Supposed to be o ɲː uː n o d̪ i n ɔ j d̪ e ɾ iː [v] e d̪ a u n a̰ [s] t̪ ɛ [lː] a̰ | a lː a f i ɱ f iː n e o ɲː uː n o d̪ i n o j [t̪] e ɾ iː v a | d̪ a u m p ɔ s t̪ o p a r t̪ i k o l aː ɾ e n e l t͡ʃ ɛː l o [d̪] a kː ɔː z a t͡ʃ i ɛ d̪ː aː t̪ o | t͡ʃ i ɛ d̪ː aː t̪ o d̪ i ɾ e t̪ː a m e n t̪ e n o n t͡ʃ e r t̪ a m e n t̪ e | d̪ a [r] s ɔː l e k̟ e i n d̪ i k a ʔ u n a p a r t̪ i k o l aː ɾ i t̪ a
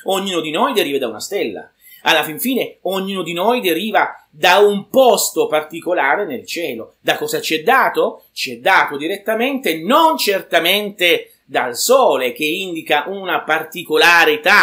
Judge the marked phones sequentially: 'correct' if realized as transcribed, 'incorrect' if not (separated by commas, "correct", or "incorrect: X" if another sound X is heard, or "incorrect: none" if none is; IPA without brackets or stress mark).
correct, correct, correct, incorrect: d̪, correct, incorrect: l